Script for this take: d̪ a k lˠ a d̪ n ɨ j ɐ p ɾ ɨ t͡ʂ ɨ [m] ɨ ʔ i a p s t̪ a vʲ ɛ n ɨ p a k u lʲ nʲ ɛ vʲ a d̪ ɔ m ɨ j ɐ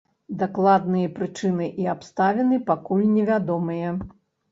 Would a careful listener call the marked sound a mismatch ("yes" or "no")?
yes